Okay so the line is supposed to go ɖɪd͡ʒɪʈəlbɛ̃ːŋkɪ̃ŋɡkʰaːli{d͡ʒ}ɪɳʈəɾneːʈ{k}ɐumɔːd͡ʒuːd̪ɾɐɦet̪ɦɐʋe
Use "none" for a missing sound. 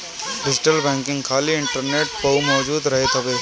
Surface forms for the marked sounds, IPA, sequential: none, p

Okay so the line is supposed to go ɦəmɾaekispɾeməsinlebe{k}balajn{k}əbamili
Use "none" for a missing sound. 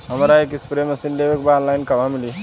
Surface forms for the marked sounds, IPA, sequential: k, k

